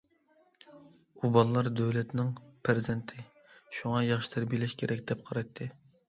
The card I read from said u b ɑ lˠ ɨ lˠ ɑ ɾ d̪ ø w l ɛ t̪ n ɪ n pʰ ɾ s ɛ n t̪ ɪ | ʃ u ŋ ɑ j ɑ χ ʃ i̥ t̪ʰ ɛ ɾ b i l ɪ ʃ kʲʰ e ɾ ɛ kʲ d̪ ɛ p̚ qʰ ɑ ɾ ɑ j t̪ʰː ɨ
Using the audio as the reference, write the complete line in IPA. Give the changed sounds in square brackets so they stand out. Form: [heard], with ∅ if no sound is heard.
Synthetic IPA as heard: u b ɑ lˠ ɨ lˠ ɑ ɾ d̪ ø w l ɛ t̪ n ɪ [ŋ] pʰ ɾ [z] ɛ n [t̪ʰ] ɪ | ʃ u ŋ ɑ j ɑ χ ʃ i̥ t̪ʰ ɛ ɾ b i l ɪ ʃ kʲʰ e ɾ ɛ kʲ d̪ ɛ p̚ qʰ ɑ ɾ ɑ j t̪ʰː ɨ